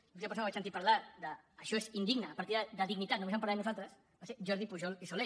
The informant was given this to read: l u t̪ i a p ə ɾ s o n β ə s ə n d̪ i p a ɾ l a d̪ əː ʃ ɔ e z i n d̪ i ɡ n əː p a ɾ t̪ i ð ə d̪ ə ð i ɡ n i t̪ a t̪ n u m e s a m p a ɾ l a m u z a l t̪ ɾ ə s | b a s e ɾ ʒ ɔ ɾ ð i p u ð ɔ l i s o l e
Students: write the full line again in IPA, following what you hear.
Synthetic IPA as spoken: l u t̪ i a p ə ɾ s o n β a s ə n t̪ i p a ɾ l a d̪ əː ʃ ɔ e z i n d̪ i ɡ n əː p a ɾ t̪ i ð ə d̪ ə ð i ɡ n i t̪ a t̪ n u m e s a m p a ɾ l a n u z a l t̪ ɾ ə s | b a s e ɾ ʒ ɔ ɾ ð i p u ʒ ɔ l i s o l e